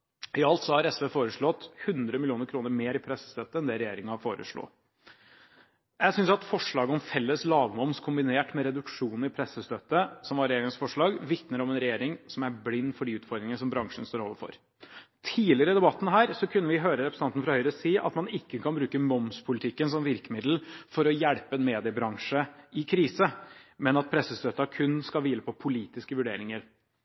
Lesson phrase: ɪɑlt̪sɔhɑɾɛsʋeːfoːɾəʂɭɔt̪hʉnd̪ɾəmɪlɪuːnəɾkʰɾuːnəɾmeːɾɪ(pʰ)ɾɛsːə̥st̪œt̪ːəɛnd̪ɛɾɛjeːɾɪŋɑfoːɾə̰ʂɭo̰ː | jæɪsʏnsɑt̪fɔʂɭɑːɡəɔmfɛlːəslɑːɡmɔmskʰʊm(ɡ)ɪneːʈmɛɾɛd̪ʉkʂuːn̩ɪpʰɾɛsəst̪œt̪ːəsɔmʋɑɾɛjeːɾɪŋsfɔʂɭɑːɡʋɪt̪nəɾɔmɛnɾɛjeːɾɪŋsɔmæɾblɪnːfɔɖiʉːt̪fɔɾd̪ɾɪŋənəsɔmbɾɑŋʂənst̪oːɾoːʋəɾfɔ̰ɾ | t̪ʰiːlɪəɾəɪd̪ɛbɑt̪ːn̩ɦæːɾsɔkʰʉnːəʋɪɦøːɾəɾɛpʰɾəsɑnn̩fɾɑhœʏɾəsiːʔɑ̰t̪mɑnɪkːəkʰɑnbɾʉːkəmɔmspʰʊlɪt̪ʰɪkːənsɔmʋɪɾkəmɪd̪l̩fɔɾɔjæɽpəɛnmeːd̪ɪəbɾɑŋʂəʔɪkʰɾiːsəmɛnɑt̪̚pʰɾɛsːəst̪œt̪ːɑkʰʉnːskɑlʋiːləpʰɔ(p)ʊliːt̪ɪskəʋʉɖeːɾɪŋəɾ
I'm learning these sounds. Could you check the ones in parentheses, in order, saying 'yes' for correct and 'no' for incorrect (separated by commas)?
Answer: yes, no, no